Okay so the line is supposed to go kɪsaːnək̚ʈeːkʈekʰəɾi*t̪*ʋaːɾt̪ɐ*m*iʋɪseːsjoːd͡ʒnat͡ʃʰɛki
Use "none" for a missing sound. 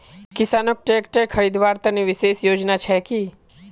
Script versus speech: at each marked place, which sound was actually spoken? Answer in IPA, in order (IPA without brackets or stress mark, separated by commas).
d̪, n